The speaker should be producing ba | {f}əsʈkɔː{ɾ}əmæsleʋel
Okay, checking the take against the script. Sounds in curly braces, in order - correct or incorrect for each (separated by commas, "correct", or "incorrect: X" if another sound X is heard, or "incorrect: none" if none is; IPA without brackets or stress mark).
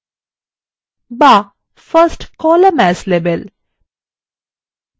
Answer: correct, incorrect: l